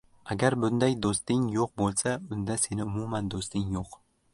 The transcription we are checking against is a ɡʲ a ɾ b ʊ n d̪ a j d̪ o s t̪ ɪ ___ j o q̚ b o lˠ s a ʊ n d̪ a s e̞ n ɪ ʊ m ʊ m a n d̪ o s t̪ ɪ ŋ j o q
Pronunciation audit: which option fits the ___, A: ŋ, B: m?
A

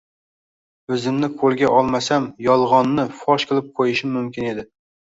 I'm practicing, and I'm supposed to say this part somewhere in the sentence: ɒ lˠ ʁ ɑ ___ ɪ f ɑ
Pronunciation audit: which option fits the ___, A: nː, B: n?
A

